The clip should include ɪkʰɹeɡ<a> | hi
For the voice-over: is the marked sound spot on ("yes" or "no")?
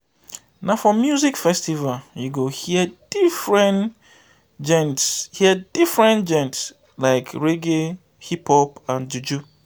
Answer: no